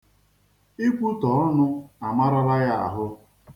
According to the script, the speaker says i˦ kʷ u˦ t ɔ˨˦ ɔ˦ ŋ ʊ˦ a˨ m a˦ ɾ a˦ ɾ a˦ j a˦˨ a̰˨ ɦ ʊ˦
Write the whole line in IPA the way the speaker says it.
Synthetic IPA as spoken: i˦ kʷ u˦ t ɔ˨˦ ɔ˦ n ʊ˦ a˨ m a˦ ɾ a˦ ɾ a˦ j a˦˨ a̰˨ ɦ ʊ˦